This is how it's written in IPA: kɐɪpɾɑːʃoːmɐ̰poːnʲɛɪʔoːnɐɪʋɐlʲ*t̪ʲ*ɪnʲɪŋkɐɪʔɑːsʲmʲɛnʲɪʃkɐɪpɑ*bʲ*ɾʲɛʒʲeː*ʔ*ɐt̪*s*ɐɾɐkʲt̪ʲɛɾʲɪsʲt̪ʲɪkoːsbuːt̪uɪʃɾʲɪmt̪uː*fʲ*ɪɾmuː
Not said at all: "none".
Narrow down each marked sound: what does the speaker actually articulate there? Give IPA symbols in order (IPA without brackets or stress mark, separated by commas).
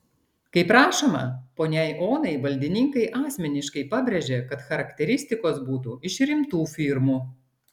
d̪ʲ, bʲ, k, x, fʲ